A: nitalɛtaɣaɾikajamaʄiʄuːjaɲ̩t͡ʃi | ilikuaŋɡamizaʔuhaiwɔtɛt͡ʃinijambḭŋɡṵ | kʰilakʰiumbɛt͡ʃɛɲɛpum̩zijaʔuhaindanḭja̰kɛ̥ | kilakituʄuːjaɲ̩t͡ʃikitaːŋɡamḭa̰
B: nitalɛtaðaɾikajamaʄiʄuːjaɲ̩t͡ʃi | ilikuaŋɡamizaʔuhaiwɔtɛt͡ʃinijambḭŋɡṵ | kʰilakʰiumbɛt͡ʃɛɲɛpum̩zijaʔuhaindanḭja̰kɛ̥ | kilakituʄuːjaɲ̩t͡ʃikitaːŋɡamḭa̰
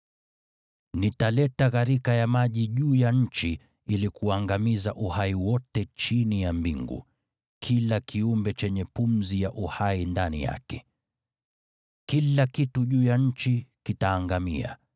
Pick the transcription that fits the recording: A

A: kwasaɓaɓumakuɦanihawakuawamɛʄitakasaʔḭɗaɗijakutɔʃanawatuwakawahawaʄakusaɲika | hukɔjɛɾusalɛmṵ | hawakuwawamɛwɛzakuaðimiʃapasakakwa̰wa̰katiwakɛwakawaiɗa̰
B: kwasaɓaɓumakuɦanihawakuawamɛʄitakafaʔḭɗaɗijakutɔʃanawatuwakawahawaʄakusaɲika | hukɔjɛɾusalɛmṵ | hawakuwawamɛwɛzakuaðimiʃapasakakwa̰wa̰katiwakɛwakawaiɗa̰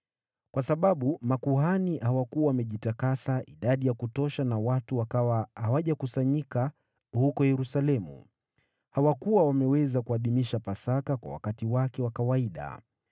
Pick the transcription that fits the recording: A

